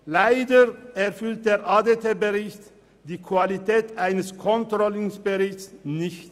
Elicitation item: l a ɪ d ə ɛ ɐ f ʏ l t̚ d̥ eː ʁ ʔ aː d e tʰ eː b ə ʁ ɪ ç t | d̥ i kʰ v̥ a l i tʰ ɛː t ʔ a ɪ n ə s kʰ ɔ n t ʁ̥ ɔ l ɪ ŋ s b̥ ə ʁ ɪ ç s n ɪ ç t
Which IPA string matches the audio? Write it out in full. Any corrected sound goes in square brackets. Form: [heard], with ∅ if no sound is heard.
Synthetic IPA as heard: l a ɪ d ə ɛ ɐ f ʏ l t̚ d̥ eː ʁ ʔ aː d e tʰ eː b ə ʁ ɪ ç t | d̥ [iː] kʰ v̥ a l i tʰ ɛː t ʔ a ɪ n ə s kʰ ɔ n t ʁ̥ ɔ l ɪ ŋ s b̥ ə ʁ ɪ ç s n ɪ ç t